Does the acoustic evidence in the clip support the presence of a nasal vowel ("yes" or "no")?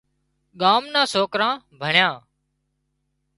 yes